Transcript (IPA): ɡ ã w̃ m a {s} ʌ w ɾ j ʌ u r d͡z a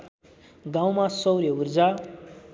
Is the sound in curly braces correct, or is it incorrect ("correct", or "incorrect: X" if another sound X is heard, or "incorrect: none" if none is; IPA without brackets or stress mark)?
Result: correct